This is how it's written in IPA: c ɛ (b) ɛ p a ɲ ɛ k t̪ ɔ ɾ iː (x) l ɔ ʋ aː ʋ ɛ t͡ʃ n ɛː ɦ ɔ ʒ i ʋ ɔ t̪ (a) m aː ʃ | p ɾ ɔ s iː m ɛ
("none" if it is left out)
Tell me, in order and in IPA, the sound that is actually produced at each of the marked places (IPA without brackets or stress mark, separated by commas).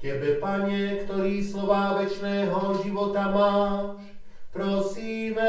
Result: b, s, a